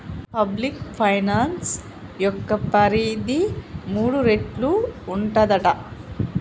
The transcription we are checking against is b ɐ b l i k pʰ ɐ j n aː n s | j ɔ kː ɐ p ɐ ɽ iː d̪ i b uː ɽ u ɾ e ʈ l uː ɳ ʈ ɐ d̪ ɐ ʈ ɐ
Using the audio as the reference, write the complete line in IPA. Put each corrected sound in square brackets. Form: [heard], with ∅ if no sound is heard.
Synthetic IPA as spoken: [p] ɐ b l i k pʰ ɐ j n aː n s | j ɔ kː ɐ p ɐ [ɾ] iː d̪ i [m] uː ɽ u ɾ e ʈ l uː ɳ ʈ ɐ d̪ ɐ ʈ ɐ